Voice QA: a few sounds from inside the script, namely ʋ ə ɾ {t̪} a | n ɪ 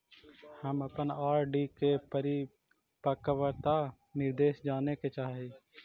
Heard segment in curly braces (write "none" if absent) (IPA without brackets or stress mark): t̪